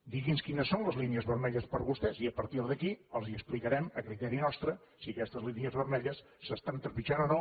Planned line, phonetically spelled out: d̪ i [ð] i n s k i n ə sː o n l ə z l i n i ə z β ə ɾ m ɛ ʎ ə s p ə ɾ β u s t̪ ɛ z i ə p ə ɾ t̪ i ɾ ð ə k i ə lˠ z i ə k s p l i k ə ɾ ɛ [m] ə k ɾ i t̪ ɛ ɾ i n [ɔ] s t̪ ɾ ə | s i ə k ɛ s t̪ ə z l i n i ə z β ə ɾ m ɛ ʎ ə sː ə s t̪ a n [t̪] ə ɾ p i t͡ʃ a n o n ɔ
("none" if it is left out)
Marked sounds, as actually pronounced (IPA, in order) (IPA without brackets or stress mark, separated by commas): ɣ, m, ɔ, t̪